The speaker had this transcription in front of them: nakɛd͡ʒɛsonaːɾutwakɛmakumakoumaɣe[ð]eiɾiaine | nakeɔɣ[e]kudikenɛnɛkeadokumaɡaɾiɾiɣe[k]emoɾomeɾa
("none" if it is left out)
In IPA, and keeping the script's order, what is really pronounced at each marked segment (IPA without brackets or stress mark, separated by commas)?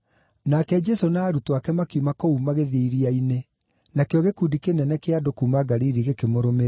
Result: ð, e, k